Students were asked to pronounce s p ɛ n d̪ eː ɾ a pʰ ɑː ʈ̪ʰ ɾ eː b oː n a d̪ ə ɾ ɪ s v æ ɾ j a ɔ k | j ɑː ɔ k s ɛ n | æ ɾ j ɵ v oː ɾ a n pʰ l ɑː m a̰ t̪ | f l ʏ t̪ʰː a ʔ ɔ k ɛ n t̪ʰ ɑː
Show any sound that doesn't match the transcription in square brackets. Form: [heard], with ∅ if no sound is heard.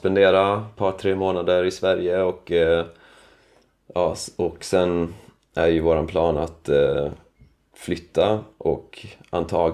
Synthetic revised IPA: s p ɛ n d̪ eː ɾ a pʰ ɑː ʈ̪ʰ ɾ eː [m] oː n a d̪ ə ɾ ɪ s v æ ɾ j [ə] ɔ k | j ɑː ɔ k s ɛ n | æ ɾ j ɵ v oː ɾ a n pʰ l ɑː [n] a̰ t̪ | f l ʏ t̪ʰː a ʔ ɔ k [a] n t̪ʰ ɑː